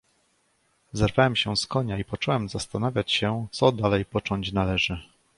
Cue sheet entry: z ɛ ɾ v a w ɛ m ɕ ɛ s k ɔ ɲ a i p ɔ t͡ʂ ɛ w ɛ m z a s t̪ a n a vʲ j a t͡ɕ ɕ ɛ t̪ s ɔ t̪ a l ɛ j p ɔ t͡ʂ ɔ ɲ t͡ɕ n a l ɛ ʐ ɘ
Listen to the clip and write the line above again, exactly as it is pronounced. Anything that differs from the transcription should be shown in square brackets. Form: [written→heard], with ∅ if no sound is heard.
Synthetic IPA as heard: z ɛ ɾ v a w ɛ m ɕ ɛ s k ɔ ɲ a i p ɔ t͡ʂ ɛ w ɛ m z a s t̪ a n a vʲ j a t͡ɕ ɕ ɛ t̪ s ɔ [t̪→d̪] a l ɛ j p ɔ t͡ʂ ɔ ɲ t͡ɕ n a l ɛ ʐ ɘ